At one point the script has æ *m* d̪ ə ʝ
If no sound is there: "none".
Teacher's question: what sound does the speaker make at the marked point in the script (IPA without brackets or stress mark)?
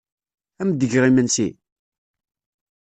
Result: m